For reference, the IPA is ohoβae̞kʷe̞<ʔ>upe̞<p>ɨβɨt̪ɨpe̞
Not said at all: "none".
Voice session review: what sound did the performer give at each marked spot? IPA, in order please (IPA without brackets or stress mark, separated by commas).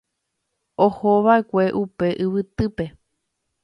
ʔ, ʔ